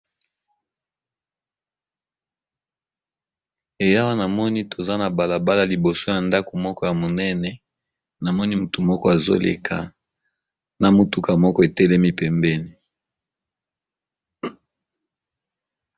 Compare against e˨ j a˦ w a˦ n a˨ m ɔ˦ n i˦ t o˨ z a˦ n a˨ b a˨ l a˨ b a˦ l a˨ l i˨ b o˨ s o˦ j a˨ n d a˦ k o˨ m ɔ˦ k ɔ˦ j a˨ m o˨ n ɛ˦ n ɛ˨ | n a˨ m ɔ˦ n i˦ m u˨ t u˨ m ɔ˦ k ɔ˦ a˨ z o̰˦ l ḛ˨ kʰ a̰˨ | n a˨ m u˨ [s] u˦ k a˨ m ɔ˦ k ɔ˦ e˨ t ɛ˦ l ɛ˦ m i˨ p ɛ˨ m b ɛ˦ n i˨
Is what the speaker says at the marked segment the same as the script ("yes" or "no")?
no